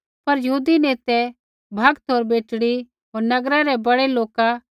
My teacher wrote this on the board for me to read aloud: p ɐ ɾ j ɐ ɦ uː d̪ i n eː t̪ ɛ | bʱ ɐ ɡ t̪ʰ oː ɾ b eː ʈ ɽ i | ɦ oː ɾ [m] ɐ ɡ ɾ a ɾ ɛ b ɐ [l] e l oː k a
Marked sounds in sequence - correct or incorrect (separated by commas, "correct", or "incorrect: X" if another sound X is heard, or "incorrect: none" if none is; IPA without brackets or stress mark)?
incorrect: n, incorrect: ɽ